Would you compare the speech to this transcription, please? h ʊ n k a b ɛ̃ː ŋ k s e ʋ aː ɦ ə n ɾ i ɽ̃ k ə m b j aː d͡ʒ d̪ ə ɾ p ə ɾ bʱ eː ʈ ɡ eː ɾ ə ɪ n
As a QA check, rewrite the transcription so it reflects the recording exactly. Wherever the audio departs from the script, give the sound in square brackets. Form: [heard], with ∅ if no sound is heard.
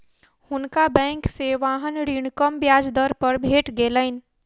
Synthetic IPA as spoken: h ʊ n k a b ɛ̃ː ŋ k s e ʋ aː ɦ ə n ɾ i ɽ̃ k ə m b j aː d͡ʒ d̪ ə ɾ p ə ɾ bʱ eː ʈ ɡ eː [l] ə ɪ n